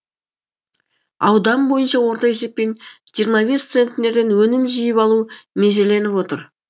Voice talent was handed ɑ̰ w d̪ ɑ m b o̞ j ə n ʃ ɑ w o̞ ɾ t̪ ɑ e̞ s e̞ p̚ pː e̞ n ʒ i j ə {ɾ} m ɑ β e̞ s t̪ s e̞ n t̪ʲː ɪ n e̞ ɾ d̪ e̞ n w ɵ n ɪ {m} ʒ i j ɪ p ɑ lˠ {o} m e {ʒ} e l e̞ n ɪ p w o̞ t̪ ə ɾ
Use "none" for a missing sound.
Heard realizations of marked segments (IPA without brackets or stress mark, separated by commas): ɾ, m, u, ʒ